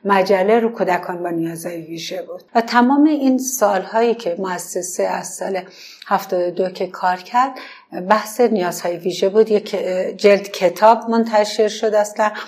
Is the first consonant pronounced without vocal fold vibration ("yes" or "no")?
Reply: no